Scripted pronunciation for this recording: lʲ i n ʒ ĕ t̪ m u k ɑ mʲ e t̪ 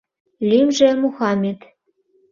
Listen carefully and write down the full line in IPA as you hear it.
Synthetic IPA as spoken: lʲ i m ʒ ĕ m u x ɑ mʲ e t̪